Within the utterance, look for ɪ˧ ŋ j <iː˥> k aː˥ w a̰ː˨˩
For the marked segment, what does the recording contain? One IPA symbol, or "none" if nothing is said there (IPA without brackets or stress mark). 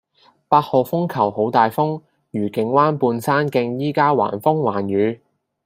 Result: iː˥